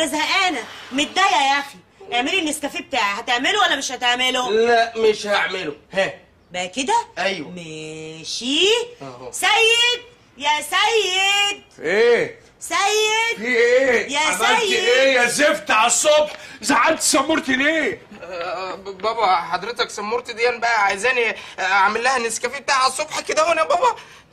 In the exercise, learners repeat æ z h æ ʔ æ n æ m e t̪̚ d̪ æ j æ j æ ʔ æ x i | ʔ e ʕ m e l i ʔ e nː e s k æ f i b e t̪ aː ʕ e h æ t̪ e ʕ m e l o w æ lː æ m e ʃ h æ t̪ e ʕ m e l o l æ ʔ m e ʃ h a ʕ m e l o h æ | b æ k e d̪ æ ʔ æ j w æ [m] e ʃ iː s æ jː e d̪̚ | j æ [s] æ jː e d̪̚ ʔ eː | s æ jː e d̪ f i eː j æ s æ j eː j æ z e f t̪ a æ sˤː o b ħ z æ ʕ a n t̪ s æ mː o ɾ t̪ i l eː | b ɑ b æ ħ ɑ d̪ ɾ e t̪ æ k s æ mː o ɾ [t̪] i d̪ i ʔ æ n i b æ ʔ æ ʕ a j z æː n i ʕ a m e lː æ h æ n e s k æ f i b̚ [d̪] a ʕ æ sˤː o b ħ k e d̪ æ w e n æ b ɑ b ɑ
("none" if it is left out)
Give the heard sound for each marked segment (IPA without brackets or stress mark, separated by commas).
m, s, t̪, t̪